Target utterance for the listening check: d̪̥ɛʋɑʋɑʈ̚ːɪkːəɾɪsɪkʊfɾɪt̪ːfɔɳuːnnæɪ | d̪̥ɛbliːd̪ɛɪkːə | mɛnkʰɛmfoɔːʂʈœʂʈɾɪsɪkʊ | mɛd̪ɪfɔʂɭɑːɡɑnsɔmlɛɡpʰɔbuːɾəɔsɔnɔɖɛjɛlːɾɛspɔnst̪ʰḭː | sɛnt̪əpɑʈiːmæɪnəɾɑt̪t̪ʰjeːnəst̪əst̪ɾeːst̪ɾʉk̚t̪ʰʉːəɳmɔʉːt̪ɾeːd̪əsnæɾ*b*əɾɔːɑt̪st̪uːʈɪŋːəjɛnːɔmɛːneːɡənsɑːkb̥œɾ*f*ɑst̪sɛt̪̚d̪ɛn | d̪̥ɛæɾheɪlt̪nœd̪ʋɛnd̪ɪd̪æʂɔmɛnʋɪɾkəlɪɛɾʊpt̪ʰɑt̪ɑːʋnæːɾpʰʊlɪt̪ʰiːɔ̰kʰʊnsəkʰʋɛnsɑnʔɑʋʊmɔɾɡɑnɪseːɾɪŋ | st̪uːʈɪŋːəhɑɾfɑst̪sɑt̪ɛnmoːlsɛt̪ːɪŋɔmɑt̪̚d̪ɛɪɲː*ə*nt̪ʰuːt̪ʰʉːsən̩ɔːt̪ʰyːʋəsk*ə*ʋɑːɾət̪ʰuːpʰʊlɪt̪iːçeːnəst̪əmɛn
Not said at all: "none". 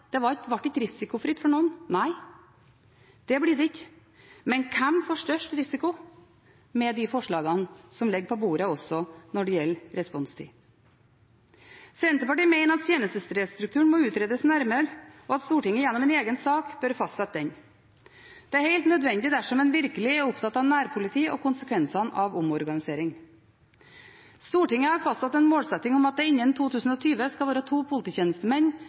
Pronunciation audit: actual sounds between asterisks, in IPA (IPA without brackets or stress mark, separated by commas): m, f, ə, ɑ